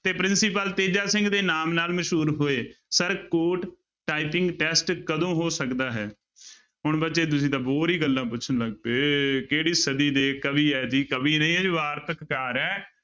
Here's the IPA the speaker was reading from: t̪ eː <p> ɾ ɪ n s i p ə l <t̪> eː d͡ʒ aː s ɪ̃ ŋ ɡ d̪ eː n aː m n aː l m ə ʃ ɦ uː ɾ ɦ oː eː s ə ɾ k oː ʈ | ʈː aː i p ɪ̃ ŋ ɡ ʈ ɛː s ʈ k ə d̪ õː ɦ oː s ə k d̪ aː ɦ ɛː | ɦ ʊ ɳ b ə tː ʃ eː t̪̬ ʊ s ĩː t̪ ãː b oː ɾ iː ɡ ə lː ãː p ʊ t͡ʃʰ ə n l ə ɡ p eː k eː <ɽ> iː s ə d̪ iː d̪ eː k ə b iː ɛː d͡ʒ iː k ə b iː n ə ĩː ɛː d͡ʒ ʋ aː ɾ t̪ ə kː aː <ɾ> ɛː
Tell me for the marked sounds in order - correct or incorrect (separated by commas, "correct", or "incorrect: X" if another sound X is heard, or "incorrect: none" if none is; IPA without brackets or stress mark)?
correct, correct, correct, correct